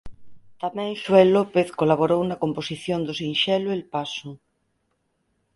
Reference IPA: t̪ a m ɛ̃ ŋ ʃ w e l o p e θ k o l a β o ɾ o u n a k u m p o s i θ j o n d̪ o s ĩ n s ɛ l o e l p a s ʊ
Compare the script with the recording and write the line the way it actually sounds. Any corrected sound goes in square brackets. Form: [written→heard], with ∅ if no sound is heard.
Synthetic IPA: t̪ a m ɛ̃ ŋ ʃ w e l o p e θ k o l a β o ɾ o [u→w] n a k [u→o] m p o s i θ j o n d̪ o s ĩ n [s→ʃ] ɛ l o e l p a s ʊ

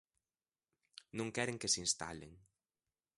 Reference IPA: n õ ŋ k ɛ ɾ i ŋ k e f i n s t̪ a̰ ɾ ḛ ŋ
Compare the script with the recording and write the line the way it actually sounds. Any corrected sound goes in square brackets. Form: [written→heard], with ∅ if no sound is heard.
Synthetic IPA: n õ ŋ k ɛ ɾ [i→e] ŋ k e [f→s] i n s t̪ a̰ [ɾ→l] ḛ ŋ

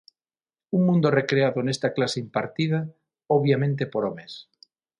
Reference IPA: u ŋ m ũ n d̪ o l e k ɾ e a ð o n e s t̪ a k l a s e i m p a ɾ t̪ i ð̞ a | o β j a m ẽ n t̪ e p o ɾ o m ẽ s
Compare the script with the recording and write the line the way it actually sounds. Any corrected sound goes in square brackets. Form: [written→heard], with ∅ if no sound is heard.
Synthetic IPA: u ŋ m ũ n d̪ o [l→r] e k ɾ e a ð o n e s t̪ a k l a s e i m p a ɾ t̪ i ð̞ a | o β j a m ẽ n t̪ e p o ɾ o m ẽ s

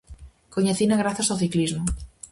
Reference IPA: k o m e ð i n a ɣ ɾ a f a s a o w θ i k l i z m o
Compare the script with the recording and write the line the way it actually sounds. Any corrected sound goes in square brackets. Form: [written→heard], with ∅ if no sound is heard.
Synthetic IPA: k o [m→ɲ] e [ð→θ] i n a ɣ ɾ a [f→θ] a s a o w θ i k l i z m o

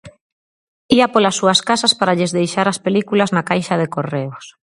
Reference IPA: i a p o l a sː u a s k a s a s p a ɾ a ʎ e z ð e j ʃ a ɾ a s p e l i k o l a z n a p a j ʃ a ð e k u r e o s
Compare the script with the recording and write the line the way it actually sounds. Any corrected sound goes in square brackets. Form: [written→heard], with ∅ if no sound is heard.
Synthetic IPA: i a p o l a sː u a s k a s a s p a ɾ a ʎ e z ð e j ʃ a ɾ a s p e l i k [o→u] l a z n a [p→k] a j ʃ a ð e k [u→o] r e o s

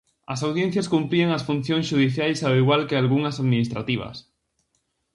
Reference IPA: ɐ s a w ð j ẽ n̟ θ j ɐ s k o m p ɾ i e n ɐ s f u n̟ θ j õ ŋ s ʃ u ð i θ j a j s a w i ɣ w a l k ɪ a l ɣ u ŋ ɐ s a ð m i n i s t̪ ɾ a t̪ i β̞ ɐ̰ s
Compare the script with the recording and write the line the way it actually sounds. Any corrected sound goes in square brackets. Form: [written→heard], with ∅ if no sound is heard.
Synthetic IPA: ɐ s a w ð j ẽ n̟ θ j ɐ s k [o→u] m p ɾ i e [n→ŋ] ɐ s f u n̟ θ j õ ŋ s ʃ u ð i θ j a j s a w i ɣ w a l k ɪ a l ɣ u ŋ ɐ s a ð m i n i s t̪ ɾ a t̪ i β̞ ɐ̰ s

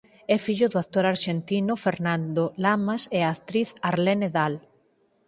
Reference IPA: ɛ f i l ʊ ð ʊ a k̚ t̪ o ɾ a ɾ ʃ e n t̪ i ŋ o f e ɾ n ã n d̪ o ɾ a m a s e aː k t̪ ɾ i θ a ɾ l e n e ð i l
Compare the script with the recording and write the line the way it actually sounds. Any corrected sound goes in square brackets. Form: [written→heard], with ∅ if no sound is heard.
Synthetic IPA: ɛ f i [l→ʎ] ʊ ð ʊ a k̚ t̪ o ɾ a ɾ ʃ e n t̪ i [ŋ→n] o f e ɾ n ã n d̪ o [ɾ→l] a m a s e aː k t̪ ɾ i θ a ɾ l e n e ð [i→a] l

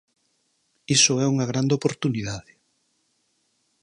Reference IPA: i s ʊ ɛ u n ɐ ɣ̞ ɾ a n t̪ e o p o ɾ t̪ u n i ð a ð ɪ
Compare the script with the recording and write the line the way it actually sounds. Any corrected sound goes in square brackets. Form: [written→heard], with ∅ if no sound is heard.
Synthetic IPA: i s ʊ ɛ u [n→ŋ] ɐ ɣ̞ ɾ a n [t̪→d̪] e o p o ɾ t̪ u n i ð a ð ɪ

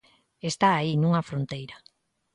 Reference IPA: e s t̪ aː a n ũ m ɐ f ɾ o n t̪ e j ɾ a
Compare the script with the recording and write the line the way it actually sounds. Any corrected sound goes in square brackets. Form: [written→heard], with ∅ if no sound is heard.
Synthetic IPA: e s t̪ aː [a→i] n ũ [m→ŋ] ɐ f ɾ o n t̪ e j ɾ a

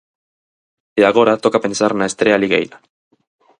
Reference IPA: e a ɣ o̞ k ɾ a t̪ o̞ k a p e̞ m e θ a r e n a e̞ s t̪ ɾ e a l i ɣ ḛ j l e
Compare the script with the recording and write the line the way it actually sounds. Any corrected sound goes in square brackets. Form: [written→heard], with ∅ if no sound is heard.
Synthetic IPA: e a ɣ o̞ [k→∅] ɾ a t̪ o̞ k a p e̞ [m→n] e [θ→s] a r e n a e̞ s t̪ ɾ e a l i ɣ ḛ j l [e→a]

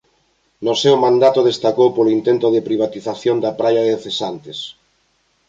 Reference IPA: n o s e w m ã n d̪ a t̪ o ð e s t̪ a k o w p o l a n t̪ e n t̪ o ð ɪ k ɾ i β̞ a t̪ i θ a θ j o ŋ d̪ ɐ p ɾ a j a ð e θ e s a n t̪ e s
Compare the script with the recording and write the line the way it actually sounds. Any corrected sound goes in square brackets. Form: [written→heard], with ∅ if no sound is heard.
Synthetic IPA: n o s e w m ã n d̪ a t̪ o ð e s t̪ a k o w p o l [a→i] n t̪ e n t̪ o ð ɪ [k→p] ɾ i β̞ a t̪ i θ a θ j o [ŋ→n] d̪ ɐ p ɾ a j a ð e θ e s a n t̪ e s

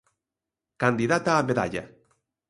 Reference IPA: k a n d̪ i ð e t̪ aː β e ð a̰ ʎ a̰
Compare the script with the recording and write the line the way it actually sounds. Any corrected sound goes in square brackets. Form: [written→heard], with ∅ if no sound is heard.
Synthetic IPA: k a n d̪ i ð [e→a] t̪ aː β e ð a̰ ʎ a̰

